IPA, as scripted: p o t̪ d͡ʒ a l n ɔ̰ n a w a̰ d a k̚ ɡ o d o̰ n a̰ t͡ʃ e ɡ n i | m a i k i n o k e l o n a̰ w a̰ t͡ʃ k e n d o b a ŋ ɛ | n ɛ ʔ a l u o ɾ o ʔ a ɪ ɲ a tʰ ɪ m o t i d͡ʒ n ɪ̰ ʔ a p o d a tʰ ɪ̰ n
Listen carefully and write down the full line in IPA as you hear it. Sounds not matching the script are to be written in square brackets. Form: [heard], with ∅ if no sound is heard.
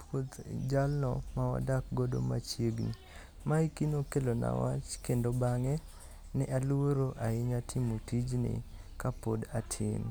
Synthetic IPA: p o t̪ d͡ʒ a l n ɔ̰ [m] a w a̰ d a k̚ ɡ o d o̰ [m] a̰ t͡ʃ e ɡ n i | m a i k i n o k e l o n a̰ w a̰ t͡ʃ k e n d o b a ŋ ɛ | n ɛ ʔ a l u o ɾ o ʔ a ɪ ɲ a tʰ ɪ m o t i d͡ʒ n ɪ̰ [k] a p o d a tʰ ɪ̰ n